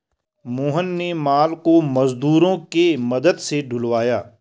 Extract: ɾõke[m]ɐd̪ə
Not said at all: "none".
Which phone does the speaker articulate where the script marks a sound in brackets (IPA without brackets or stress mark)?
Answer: m